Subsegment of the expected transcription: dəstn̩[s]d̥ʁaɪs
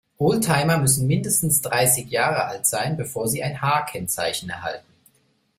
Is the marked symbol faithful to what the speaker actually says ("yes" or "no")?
yes